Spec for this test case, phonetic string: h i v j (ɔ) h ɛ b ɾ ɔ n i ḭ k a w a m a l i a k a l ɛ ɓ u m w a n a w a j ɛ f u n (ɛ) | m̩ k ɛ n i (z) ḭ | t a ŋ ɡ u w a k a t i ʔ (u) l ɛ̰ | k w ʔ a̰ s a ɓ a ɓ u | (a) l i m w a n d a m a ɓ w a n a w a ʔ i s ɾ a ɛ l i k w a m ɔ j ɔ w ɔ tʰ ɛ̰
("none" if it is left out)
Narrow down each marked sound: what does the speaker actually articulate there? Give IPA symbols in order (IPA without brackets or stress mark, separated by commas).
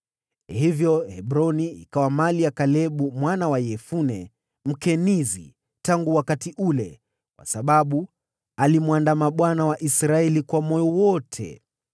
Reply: ɔ, ɛ, z, u, a